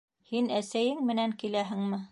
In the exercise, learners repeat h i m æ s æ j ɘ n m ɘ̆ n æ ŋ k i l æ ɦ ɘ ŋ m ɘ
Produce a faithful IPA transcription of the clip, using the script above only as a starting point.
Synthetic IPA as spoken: h i n æ s æ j ɘ ŋ m ɘ̆ n æ ŋ k i l æ ɦ ɘ ŋ m ɘ